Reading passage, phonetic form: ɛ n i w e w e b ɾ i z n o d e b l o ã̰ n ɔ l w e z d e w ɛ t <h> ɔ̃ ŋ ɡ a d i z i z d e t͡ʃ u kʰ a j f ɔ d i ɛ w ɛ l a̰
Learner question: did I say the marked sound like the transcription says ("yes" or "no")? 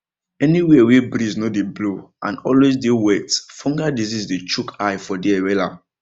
no